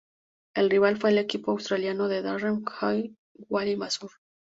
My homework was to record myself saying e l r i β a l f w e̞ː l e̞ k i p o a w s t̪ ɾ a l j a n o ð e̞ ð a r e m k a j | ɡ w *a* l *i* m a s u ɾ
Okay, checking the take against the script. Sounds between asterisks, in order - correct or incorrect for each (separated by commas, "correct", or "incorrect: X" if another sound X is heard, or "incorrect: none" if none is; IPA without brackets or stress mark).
correct, correct